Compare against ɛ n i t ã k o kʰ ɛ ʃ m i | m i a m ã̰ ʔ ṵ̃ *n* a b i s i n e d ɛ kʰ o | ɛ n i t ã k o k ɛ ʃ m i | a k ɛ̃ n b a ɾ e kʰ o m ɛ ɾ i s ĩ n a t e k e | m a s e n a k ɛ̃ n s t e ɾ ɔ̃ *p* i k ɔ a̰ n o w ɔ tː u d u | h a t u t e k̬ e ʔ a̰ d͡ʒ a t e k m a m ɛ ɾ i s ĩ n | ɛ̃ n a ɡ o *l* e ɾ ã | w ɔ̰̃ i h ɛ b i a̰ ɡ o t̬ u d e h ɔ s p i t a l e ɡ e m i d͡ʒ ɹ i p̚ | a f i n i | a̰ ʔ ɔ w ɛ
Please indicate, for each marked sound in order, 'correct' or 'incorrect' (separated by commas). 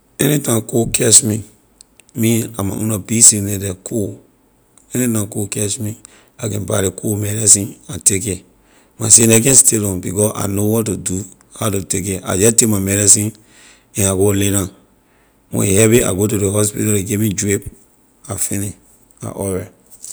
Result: correct, incorrect, correct